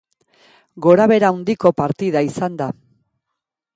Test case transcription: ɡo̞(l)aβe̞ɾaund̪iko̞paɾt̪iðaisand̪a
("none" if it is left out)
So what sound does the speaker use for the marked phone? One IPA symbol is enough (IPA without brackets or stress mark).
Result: ɾ